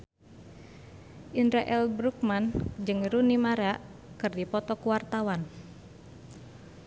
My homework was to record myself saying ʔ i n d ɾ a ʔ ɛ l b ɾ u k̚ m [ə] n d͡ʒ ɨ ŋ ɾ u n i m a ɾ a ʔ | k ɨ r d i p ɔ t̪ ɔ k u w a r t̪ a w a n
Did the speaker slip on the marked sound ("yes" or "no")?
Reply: yes